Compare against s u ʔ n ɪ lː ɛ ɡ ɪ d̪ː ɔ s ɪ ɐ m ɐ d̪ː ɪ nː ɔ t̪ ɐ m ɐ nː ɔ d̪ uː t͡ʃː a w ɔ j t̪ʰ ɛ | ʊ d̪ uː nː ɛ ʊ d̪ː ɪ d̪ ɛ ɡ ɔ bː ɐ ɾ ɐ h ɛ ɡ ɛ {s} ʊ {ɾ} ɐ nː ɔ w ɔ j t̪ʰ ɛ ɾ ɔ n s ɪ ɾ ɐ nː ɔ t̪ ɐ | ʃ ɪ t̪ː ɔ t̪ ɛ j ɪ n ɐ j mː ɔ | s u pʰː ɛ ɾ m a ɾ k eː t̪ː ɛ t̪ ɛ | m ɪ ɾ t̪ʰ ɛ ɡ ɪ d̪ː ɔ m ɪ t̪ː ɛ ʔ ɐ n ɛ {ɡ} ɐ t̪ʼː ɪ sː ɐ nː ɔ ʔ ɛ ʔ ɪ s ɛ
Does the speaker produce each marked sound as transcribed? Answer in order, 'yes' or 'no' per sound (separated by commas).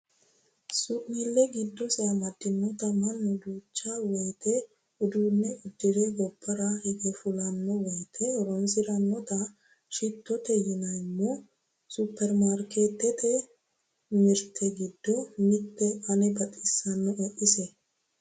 no, no, no